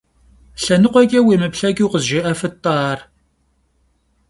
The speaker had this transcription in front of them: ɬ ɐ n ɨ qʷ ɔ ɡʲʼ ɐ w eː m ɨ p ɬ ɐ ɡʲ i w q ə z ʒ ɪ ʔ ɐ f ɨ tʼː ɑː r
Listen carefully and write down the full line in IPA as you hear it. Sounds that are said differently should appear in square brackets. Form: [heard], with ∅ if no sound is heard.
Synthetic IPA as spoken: ɬ ɐ n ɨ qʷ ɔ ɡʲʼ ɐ w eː m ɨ p ɬ ɐ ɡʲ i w q ə z ʒ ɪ ʔ ɐ f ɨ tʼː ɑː r